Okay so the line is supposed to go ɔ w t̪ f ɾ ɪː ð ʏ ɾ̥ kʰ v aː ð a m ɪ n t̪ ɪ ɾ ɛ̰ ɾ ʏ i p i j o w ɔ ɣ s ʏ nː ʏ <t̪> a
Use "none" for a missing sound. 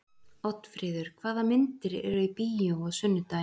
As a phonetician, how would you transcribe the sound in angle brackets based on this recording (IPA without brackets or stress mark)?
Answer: t̪